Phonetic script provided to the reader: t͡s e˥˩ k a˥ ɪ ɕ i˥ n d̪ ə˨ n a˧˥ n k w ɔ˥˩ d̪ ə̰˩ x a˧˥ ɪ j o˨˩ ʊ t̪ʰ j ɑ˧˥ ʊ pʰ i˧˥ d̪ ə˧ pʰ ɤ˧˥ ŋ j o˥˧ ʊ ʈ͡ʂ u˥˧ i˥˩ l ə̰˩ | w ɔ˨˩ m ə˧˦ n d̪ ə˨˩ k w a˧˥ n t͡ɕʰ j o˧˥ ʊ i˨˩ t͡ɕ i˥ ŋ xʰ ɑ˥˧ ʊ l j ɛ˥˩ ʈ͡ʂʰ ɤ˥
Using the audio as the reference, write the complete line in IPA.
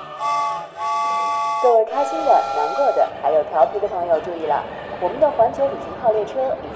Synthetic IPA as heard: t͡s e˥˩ kʰ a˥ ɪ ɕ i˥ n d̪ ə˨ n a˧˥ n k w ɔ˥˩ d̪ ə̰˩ x a˧˥ ɪ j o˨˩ ʊ t̪ʰ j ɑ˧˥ ʊ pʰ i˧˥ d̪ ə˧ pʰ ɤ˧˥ ŋ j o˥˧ ʊ ʈ͡ʂ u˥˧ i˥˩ l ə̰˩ | w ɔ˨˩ m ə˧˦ n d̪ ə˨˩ x w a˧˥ n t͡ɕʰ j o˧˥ ʊ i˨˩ t͡ɕ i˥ ŋ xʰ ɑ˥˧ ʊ l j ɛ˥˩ ʈ͡ʂʰ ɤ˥